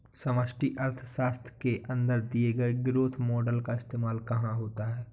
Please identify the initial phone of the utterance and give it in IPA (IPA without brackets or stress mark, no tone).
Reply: s